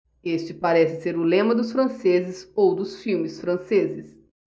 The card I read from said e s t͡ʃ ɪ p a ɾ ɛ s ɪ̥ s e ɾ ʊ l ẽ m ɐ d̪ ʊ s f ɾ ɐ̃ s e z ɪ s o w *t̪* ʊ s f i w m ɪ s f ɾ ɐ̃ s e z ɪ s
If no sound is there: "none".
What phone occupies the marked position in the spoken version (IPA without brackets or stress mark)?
d̪